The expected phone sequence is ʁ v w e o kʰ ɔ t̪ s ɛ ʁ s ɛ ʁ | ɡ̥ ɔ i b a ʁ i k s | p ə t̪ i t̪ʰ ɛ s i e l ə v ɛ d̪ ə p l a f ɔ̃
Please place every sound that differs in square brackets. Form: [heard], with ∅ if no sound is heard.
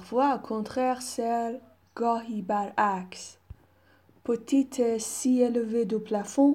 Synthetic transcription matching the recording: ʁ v w [a] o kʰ [ɔ̃] t̪ [χ] ɛ ʁ s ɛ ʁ | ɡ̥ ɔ i b a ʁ [a] k s | p ə t̪ i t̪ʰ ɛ s i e l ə v [e] d̪ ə p l a f ɔ̃